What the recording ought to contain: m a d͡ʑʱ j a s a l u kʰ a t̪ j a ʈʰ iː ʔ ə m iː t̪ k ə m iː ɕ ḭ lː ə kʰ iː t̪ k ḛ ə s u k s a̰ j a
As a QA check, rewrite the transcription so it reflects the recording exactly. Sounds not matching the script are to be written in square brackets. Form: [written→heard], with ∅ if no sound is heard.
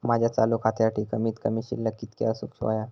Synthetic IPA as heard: m a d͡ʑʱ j a [s→t͡s] a l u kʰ a t̪ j a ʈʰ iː [ʔ→k] ə m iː t̪ k ə m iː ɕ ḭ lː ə [kʰ→k] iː t̪ k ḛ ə s u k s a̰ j a